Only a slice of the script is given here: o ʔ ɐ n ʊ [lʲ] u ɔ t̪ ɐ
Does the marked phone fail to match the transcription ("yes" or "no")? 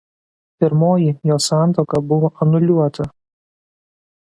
no